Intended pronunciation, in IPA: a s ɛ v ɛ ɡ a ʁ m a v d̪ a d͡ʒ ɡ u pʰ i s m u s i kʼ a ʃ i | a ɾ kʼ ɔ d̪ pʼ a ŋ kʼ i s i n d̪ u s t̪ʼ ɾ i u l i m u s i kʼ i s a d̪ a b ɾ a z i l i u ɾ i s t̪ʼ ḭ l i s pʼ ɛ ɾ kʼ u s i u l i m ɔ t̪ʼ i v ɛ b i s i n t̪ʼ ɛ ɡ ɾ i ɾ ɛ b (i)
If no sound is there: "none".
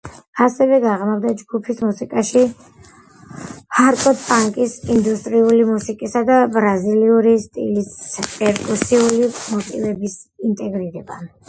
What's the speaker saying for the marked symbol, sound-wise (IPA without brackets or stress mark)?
a